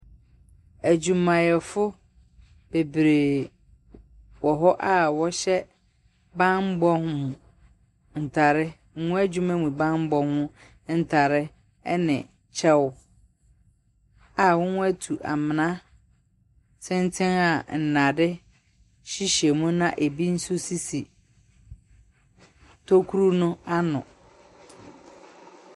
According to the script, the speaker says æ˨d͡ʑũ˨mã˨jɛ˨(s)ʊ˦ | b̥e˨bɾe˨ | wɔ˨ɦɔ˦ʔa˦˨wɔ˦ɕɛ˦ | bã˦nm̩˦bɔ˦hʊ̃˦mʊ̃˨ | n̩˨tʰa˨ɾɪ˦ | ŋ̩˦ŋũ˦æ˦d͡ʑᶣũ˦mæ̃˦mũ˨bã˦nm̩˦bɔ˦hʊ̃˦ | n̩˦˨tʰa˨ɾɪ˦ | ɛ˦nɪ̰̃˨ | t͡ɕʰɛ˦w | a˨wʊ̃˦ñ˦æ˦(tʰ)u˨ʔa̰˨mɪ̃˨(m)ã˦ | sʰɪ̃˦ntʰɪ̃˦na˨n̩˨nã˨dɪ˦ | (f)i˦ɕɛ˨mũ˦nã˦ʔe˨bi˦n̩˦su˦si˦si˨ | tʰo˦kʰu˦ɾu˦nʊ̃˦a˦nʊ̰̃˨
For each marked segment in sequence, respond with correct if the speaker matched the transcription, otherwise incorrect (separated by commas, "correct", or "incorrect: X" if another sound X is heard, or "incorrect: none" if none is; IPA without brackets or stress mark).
incorrect: f, correct, incorrect: n, incorrect: ɕ